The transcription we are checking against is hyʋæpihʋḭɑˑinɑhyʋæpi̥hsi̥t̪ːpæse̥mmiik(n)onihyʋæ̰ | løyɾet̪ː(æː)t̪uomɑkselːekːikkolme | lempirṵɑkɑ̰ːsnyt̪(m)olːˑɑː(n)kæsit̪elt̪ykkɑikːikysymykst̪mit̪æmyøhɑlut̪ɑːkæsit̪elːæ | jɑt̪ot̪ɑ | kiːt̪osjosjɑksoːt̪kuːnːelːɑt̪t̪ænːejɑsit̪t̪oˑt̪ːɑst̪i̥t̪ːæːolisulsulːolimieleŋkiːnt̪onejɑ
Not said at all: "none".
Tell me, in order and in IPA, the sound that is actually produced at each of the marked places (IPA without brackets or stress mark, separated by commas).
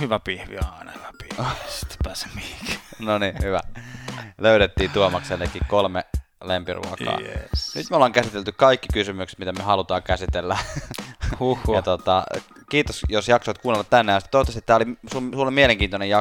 n, iː, m, ŋ